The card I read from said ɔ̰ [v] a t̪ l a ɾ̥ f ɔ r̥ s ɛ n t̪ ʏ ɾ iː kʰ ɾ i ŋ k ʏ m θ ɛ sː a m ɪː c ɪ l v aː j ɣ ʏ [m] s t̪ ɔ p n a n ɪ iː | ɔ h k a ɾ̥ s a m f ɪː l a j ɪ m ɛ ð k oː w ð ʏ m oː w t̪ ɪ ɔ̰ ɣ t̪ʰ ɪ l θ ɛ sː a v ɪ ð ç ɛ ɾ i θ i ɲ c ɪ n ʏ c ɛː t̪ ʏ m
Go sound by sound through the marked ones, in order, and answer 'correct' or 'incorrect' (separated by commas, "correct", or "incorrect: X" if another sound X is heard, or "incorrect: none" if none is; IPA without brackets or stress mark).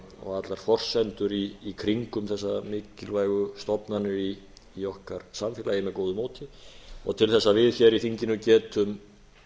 incorrect: ɣ, incorrect: none